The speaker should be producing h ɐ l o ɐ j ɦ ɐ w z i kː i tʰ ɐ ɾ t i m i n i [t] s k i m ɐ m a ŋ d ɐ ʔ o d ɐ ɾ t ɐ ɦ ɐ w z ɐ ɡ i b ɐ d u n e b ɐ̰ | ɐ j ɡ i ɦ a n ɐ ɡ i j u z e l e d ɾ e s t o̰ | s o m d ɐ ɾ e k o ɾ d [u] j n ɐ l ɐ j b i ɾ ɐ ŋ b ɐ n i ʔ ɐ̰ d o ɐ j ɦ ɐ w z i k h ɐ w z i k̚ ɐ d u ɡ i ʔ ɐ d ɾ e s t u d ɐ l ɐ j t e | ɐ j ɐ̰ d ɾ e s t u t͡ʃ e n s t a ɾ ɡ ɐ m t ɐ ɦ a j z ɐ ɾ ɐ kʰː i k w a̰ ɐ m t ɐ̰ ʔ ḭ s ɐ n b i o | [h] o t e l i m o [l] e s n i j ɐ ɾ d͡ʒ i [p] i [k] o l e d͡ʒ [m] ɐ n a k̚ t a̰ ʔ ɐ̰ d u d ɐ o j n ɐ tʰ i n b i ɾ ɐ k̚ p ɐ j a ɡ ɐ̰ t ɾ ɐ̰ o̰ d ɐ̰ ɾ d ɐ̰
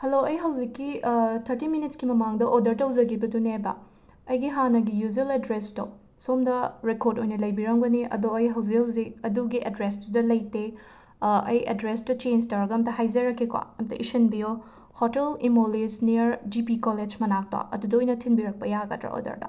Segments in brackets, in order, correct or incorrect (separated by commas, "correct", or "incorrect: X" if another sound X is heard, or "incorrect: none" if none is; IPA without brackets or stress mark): correct, incorrect: o, correct, correct, correct, correct, correct